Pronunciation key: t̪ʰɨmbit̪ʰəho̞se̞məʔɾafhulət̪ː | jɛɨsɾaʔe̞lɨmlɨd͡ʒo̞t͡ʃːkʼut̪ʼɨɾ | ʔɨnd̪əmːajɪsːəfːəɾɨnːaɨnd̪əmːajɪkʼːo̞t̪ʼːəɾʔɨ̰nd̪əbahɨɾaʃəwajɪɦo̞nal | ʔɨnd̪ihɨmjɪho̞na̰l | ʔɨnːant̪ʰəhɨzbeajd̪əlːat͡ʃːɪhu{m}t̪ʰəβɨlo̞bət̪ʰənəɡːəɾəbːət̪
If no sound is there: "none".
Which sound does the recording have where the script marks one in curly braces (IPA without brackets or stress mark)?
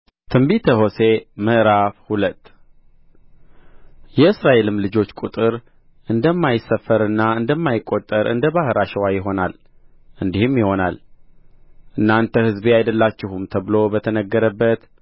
m